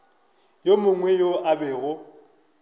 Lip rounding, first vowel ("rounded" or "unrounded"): rounded